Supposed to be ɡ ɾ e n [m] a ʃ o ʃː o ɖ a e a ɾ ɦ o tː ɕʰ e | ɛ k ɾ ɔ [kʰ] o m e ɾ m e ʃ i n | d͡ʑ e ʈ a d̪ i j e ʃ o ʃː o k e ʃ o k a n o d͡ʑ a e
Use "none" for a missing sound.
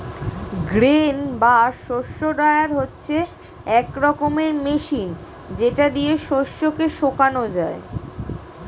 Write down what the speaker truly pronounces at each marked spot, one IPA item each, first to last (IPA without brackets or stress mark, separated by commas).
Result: b, k